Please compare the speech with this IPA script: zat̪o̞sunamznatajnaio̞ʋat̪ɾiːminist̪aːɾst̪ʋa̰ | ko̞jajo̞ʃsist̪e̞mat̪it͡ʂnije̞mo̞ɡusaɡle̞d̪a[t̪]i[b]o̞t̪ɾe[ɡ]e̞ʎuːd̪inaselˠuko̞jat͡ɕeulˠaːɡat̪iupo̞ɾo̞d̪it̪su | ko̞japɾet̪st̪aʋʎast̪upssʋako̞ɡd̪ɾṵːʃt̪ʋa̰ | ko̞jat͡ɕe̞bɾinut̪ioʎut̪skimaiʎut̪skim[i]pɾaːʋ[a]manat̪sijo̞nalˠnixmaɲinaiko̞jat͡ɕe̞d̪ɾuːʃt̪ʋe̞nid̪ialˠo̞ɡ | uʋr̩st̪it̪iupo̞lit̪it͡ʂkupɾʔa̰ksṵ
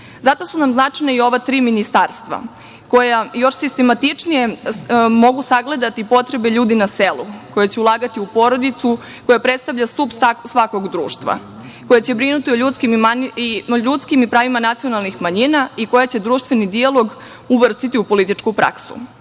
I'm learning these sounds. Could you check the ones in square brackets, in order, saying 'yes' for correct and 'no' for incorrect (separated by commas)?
yes, no, no, yes, no